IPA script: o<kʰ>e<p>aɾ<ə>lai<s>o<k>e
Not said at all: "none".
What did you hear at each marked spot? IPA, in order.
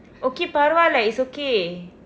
k, p, a, s, k

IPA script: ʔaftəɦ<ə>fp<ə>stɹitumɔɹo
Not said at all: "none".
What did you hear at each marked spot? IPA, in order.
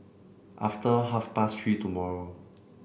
a, a

